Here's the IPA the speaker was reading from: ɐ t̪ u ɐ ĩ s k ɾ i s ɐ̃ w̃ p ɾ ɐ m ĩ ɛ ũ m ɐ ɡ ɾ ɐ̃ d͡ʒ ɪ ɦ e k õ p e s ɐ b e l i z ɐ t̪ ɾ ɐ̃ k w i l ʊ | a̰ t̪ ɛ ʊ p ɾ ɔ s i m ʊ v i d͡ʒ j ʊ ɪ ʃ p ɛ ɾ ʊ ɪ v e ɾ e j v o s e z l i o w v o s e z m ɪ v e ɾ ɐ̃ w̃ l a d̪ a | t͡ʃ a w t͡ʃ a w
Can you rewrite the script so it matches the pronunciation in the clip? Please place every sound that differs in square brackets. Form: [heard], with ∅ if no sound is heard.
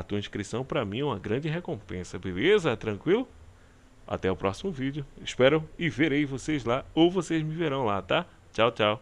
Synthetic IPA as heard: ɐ t̪ u ɐ ĩ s k ɾ i s ɐ̃ w̃ p ɾ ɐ m ĩ ɛ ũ m ɐ ɡ ɾ ɐ̃ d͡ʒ ɪ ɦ e k õ p [ẽ] s ɐ b e l [e] z ɐ t̪ ɾ ɐ̃ k w i l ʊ | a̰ t̪ ɛ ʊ p ɾ ɔ s i m ʊ v i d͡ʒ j ʊ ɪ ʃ p ɛ ɾ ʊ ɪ v e ɾ e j v o s e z l [a] o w v o s e z m ɪ v e ɾ ɐ̃ w̃ l a [t̪] a | t͡ʃ a w t͡ʃ a w